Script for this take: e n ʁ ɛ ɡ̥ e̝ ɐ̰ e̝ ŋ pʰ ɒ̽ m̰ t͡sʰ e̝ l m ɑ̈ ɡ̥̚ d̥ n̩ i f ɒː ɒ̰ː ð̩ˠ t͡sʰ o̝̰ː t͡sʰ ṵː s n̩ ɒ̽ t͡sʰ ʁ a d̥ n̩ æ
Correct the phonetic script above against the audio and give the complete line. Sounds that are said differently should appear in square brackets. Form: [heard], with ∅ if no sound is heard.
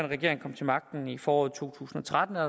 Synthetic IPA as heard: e n ʁ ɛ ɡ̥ e̝ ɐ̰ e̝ ŋ [kʰ] ɒ̽ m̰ t͡sʰ e̝ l m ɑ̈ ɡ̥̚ d̥ n̩ i f ɒː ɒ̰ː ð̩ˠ t͡sʰ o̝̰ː t͡sʰ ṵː s n̩ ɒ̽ t͡sʰ ʁ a d̥ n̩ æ